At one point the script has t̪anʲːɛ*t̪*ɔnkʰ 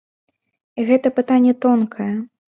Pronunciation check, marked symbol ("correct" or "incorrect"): correct